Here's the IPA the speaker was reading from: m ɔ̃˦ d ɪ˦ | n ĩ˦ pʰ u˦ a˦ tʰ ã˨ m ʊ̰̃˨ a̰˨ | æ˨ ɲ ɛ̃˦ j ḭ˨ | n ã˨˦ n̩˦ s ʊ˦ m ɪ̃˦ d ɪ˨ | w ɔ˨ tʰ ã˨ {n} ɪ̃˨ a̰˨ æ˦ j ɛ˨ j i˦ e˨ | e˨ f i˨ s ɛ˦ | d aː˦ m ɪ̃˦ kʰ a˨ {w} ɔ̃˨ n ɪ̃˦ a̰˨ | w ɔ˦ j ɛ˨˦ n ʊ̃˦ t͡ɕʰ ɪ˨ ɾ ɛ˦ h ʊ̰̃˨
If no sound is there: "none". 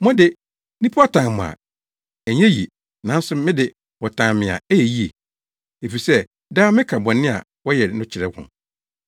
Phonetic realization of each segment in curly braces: m, b

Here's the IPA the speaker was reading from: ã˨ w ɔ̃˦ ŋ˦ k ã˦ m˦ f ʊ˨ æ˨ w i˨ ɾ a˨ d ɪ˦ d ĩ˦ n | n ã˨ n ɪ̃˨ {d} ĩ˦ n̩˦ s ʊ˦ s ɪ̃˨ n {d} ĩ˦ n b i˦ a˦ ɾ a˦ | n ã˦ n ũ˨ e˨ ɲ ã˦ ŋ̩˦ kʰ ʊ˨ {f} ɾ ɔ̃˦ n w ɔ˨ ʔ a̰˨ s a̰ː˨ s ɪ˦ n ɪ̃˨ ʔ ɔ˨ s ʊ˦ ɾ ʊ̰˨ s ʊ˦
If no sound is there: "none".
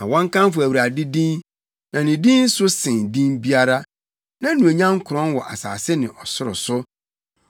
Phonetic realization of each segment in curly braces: d, d, none

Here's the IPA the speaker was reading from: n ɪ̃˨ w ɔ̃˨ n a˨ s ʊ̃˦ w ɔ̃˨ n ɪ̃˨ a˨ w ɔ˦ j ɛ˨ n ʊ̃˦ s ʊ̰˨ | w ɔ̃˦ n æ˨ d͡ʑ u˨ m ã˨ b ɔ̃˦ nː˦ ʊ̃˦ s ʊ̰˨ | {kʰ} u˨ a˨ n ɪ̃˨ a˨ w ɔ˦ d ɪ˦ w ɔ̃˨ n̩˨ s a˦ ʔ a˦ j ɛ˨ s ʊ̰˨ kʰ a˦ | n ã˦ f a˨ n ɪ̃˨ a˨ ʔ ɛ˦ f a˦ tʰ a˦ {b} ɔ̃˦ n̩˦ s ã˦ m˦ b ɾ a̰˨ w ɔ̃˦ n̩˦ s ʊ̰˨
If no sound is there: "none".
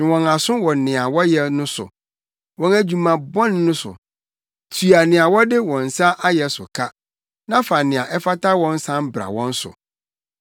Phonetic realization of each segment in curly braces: tʰ, w

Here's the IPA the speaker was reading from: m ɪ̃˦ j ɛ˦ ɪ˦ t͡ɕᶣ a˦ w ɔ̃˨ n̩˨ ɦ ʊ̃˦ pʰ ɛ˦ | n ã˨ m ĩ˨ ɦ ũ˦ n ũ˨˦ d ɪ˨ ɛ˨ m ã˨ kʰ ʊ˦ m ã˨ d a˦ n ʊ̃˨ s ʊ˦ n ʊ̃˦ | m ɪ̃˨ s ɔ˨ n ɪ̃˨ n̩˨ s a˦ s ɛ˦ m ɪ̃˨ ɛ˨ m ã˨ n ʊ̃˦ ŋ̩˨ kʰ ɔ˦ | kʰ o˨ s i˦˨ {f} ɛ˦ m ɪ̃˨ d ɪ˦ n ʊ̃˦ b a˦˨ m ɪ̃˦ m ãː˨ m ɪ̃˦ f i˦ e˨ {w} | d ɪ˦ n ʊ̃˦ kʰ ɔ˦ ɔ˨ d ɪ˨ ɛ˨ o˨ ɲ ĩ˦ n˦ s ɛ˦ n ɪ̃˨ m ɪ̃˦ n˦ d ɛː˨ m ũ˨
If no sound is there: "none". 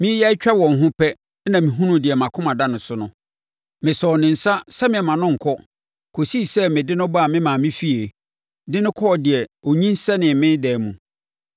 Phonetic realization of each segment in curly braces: s, none

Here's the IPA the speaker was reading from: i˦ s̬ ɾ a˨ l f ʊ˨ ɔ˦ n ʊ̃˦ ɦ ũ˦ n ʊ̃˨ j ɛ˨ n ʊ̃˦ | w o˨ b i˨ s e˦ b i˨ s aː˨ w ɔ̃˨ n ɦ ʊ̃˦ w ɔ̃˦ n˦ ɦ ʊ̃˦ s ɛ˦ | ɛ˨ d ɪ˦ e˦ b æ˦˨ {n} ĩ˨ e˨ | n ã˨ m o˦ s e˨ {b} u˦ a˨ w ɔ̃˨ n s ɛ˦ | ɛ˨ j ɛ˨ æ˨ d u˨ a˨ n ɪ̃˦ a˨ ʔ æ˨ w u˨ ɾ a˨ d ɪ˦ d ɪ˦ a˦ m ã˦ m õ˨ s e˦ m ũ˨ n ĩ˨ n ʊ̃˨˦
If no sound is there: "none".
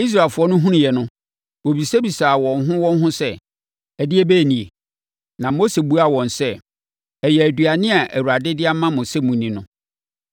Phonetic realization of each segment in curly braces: n, b

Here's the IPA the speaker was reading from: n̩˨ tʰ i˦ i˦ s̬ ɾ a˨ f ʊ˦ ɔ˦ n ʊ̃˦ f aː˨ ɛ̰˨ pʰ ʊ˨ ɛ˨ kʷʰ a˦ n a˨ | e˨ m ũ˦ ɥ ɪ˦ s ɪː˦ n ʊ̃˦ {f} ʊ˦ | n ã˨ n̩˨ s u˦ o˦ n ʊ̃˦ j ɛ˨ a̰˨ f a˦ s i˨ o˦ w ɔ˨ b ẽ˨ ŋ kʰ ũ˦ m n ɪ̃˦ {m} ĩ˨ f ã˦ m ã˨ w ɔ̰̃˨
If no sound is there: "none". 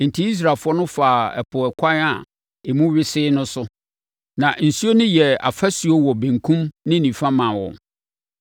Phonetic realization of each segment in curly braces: s, n

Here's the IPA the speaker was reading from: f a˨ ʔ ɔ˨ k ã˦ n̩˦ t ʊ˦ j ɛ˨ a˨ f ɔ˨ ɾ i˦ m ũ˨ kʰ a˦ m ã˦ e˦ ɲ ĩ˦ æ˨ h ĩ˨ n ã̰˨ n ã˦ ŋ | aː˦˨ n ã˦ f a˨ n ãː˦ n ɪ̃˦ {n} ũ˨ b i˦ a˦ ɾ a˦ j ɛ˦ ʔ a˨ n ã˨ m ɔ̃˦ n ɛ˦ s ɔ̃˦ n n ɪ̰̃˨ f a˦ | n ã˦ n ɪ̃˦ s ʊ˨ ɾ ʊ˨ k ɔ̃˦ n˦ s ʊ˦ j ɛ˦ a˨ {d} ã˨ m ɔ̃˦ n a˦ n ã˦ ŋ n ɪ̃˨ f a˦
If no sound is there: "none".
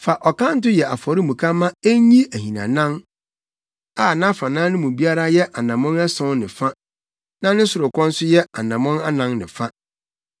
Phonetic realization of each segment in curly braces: m, n

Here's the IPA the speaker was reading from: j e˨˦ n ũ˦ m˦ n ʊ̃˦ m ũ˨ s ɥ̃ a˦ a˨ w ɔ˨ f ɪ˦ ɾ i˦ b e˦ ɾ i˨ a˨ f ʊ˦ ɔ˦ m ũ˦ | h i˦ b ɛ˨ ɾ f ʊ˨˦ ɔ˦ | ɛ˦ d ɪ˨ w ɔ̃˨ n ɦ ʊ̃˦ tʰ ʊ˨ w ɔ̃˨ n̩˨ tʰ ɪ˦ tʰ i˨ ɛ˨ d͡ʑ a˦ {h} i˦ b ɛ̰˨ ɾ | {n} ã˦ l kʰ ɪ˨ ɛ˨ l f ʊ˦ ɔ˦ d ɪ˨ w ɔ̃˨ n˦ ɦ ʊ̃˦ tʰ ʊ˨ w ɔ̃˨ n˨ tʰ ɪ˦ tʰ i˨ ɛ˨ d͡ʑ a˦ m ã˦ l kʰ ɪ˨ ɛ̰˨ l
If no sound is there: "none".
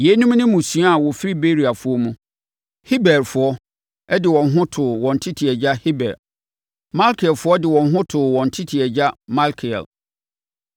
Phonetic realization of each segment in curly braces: h, m

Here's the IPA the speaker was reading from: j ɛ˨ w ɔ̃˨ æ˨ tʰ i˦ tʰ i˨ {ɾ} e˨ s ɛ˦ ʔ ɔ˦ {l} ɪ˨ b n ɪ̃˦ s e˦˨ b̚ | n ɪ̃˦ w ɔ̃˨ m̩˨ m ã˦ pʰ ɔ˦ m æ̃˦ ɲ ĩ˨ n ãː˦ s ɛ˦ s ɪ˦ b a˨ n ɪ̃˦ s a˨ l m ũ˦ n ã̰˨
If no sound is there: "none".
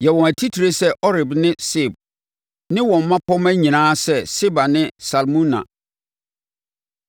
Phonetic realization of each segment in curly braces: ɾ, ɾ

